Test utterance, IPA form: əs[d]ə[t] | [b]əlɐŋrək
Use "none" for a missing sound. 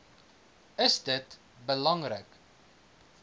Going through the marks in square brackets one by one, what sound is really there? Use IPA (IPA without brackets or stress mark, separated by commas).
d, t, b